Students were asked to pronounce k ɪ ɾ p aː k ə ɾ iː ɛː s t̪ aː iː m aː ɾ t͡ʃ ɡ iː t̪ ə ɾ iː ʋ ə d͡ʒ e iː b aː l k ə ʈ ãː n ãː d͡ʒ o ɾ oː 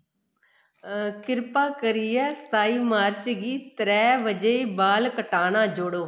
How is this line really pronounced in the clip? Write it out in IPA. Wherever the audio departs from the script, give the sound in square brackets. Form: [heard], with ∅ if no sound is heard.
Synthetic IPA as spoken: k ɪ ɾ p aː k ə ɾ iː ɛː s t̪ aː iː m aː ɾ t͡ʃ ɡ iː t̪ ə ɾ [ɛː] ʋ ə d͡ʒ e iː b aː l k ə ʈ [aː] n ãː d͡ʒ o [ɽ] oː